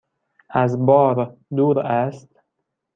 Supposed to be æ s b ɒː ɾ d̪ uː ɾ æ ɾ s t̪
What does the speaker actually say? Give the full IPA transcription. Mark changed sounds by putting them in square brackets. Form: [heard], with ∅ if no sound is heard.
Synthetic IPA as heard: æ [z] b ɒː ɾ d̪ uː ɾ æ [∅] s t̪